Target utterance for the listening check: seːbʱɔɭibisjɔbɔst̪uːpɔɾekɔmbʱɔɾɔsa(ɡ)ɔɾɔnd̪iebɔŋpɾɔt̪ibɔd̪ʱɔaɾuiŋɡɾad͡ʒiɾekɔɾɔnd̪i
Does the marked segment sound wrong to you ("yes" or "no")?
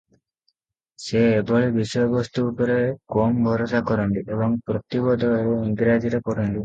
yes